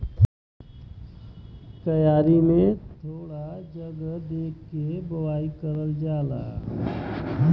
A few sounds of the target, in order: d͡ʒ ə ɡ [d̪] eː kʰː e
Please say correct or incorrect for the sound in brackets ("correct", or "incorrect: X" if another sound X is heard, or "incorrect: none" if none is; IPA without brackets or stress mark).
correct